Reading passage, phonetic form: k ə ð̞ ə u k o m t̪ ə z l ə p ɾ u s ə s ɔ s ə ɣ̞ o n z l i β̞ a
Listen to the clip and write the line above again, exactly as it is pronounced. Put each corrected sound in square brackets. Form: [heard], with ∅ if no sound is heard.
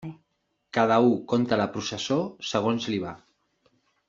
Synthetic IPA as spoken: k [a] ð̞ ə u k o [n] t̪ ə [∅] l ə p ɾ u s ə s [o] s ə ɣ̞ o n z l i β̞ a